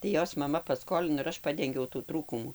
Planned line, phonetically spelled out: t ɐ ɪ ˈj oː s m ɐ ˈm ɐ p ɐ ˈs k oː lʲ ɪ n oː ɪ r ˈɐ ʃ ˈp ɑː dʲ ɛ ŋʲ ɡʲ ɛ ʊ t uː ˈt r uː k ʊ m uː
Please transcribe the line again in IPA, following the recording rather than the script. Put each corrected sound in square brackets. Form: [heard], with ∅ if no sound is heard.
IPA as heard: t ɐ ɪ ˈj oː s m ɐ ˈm ɐ p ɐ ˈs k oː lʲ ɪ n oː ɪ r ˈɐ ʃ ˈp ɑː dʲ ɛ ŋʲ ɡʲ ɛ ʊ t uː ˈt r uː k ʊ m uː